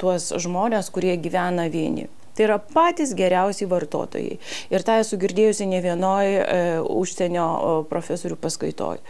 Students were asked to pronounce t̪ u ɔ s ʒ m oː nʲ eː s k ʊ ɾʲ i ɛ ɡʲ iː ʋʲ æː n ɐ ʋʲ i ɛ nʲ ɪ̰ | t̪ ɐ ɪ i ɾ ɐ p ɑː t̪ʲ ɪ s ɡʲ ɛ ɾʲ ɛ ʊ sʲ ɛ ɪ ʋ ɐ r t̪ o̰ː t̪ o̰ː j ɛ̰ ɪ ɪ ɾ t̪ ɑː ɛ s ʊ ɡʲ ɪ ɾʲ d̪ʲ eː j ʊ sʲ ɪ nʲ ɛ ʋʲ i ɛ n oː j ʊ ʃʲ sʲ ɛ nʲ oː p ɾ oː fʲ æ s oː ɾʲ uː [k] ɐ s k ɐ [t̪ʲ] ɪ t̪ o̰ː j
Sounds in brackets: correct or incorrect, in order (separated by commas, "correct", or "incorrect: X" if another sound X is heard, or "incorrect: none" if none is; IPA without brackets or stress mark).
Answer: incorrect: p, incorrect: none